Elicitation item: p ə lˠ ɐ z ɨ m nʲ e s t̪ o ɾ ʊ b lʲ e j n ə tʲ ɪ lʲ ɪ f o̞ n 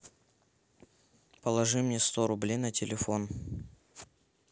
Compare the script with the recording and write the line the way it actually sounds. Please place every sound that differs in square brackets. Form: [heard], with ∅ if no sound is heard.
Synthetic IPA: p ə lˠ ɐ [ʐ] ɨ m nʲ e s t̪ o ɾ ʊ b lʲ e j n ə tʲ ɪ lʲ ɪ f o̞ n